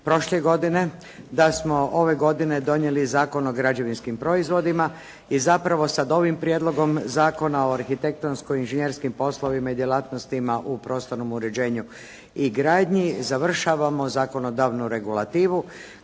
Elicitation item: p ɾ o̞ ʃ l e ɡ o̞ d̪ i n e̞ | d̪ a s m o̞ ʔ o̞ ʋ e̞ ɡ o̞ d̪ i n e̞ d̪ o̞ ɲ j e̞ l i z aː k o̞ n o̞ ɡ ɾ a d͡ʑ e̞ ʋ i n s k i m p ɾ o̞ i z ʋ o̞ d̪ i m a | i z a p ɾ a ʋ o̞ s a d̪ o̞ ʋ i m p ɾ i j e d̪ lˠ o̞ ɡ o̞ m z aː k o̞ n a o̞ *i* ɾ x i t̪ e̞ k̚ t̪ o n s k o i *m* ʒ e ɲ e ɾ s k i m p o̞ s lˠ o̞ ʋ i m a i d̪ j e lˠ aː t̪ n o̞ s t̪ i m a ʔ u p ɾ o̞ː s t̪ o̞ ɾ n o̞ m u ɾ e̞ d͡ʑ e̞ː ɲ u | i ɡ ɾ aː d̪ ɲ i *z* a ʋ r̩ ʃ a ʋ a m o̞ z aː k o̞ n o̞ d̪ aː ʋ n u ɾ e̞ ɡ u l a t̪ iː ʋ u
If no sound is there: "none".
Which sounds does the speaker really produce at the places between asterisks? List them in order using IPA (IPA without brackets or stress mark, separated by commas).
a, n, z